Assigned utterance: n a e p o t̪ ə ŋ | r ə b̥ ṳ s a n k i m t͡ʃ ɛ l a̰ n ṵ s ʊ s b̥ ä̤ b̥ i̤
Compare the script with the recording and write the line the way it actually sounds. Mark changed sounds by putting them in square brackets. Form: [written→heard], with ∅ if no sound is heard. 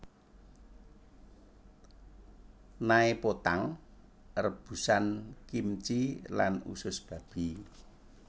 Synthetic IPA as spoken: n a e p o t̪ [ə→a] ŋ | r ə b̥ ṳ s a n k i m t͡ʃ [ɛ→i] l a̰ n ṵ s ʊ s b̥ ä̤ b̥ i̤